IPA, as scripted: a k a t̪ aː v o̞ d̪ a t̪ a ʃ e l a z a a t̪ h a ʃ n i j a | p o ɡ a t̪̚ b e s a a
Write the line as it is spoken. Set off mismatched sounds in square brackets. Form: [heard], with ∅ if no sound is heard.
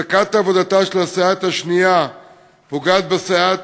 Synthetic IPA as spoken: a k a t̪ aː v o̞ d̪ a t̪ a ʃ e l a [s] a a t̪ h a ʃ n i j a | p o ɡ a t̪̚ b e s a a